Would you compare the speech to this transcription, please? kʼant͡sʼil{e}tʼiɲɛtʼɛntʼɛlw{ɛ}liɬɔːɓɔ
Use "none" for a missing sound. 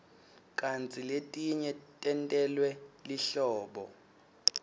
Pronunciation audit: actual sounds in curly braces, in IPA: e, ɛ

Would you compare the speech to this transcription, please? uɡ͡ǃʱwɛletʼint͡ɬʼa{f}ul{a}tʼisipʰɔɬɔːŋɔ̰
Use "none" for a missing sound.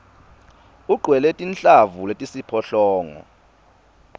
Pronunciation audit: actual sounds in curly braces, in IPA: v, e

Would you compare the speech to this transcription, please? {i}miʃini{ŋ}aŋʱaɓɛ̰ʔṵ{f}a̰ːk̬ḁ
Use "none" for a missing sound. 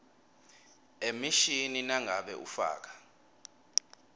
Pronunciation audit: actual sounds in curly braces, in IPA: e, n, f

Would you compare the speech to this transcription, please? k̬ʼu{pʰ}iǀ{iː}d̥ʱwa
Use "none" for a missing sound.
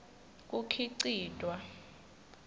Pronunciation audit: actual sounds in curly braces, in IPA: kʰ, iː

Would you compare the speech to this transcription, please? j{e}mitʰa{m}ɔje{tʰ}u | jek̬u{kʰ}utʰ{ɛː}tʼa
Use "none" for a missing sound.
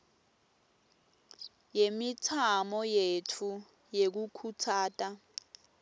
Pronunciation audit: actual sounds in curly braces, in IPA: e, m, tʰ, kʰ, aː

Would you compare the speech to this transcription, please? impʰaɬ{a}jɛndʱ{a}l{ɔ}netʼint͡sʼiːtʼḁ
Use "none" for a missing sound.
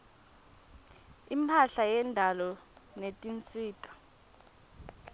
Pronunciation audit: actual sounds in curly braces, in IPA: a, a, ɔ

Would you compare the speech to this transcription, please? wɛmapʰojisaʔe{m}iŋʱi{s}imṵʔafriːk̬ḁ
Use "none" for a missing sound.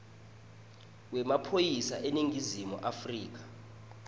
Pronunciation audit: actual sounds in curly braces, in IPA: n, z

